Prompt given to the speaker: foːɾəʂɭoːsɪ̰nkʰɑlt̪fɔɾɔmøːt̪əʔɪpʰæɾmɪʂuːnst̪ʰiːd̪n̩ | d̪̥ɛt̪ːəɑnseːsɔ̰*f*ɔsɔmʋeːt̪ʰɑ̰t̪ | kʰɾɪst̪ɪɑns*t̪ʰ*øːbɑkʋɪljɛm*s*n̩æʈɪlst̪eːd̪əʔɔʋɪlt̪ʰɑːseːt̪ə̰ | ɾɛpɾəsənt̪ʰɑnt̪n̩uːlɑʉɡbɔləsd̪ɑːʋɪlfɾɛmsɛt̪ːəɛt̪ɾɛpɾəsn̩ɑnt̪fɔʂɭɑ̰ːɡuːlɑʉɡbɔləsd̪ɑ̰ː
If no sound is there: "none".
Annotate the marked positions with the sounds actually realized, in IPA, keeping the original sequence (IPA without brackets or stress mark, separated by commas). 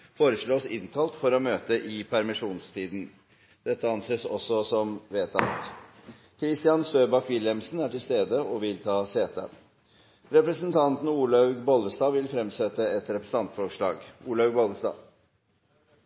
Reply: s, t̪, s